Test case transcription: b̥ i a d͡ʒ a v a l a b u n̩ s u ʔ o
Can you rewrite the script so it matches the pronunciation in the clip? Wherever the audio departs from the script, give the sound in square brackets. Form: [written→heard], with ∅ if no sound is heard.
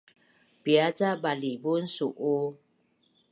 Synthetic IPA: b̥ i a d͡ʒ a [v→b] a l [a→i] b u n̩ s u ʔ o